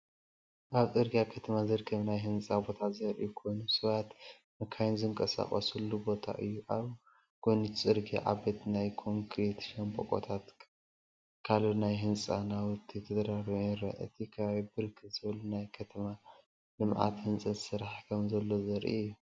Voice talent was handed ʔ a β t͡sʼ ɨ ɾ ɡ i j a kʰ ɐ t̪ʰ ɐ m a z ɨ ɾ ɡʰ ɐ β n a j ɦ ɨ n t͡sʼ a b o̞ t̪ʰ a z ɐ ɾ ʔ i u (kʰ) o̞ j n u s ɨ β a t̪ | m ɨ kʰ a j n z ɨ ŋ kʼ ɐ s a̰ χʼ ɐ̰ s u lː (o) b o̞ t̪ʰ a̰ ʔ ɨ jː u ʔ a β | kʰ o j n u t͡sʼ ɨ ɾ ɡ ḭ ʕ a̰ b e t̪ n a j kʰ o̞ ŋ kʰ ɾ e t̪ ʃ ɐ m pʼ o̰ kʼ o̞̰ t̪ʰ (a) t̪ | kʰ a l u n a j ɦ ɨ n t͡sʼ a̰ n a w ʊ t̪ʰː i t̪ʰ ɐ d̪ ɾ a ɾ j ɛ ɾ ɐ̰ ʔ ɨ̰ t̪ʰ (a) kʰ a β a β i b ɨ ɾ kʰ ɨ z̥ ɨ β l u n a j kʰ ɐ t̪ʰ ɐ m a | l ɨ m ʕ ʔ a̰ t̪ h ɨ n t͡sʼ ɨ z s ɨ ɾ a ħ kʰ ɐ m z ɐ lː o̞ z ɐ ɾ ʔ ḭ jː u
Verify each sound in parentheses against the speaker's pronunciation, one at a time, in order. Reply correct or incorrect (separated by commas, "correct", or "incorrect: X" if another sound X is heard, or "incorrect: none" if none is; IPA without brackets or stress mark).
correct, incorrect: u, correct, incorrect: i